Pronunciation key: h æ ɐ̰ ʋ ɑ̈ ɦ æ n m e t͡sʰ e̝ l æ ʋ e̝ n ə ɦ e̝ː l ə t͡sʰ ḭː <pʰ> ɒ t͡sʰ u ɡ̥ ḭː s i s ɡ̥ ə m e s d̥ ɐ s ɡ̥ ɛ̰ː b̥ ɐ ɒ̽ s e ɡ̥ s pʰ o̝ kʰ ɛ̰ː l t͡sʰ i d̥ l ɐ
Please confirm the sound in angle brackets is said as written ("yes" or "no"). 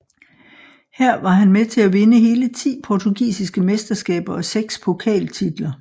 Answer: yes